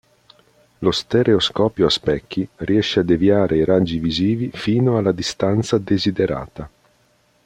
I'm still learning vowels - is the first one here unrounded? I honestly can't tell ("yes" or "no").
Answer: no